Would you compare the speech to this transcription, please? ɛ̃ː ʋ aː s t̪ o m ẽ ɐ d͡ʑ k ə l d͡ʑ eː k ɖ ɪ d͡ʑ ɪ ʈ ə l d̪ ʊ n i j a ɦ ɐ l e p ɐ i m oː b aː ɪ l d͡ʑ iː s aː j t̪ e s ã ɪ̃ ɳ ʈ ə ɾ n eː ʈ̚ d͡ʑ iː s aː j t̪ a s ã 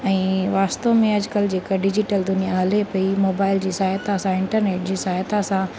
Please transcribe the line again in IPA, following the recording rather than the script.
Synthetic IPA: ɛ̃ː ʋ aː s t̪ o m ẽ ɐ d͡ʑ k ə l d͡ʑ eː k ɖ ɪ d͡ʑ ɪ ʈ ə l d̪ ʊ n i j a ɦ ɐ l e p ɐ i m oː b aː ɪ l d͡ʑ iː s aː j t̪ a s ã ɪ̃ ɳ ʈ ə ɾ n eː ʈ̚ d͡ʑ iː s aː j t̪ a s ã